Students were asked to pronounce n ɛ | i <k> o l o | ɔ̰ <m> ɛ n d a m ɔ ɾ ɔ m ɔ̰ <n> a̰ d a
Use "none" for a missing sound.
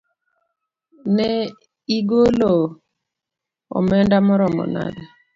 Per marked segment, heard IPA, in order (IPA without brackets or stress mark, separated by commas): ɡ, m, n